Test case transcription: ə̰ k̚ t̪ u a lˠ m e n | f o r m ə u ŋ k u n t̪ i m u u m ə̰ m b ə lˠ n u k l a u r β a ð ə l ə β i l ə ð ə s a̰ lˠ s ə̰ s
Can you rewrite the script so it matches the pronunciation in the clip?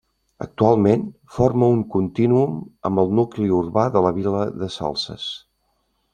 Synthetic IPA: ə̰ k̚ t̪ u a lˠ m e n | f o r m ə u ŋ k u n t̪ i n u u m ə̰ m b ə lˠ n u k l i u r β a ð ə l ə β i l ə ð ə s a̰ lˠ s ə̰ s